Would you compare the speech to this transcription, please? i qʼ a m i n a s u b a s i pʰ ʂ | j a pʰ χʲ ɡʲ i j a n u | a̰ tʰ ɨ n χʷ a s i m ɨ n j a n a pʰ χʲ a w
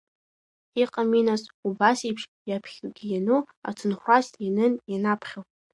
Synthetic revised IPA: i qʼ a m i n a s u b a s i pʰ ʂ | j a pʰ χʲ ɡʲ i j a n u | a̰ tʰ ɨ n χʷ a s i n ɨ n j a n a pʰ χʲ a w